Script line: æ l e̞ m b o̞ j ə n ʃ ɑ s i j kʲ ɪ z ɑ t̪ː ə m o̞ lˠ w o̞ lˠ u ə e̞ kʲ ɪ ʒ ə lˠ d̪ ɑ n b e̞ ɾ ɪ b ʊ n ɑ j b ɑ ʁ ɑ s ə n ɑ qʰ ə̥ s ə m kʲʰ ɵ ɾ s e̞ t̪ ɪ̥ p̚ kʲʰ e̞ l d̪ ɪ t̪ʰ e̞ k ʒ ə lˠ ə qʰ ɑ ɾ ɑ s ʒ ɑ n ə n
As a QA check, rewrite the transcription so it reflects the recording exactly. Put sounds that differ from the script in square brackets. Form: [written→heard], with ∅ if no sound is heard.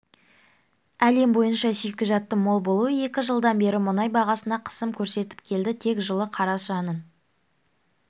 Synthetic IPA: æ l e̞ m b o̞ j ə n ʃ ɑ s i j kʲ ɪ [z→ʒ] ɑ t̪ː ə m o̞ lˠ [w→b] o̞ lˠ u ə e̞ kʲ ɪ ʒ ə lˠ d̪ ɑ n b e̞ ɾ ɪ [b→m] ʊ n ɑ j b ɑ ʁ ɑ s ə n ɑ qʰ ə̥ s ə m kʲʰ ɵ ɾ s e̞ t̪ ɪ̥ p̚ kʲʰ e̞ l d̪ ɪ t̪ʰ e̞ k ʒ ə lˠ ə qʰ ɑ ɾ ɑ s ʒ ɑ n ə n